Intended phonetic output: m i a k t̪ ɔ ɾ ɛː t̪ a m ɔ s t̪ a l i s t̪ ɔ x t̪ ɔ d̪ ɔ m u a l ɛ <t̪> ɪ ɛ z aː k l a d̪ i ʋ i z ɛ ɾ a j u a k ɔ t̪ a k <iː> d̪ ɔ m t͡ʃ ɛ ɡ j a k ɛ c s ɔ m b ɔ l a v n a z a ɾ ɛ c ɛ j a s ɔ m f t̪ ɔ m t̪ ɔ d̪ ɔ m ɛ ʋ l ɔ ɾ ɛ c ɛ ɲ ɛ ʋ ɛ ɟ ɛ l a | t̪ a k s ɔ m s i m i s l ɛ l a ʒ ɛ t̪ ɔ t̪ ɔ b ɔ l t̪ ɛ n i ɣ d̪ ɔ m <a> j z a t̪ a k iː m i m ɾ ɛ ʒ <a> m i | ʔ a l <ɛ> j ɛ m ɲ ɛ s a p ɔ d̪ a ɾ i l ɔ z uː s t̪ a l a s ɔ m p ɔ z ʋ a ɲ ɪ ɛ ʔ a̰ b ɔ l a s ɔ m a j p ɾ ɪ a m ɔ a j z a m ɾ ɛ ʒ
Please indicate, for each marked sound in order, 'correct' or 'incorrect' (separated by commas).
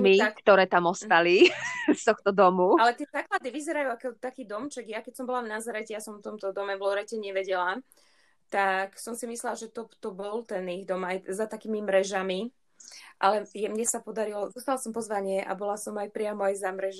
correct, correct, correct, correct, correct